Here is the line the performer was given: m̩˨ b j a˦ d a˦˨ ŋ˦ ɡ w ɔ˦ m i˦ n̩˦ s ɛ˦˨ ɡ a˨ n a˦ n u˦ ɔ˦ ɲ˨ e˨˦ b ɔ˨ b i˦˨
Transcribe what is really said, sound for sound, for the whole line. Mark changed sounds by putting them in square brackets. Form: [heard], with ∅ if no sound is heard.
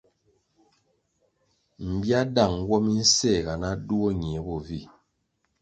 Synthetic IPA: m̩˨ b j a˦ d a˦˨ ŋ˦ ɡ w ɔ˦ m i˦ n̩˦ s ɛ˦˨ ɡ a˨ n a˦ [d] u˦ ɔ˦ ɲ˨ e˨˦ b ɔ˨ [v] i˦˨